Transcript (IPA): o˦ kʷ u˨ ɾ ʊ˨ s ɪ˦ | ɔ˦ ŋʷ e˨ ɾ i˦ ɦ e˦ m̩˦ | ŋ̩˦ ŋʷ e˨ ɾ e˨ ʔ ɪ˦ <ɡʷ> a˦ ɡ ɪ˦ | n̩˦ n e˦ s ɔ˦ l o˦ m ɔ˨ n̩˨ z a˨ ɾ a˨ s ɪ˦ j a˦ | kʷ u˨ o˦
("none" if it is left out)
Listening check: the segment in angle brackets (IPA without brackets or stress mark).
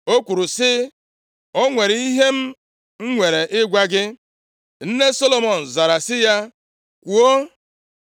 ɡʷ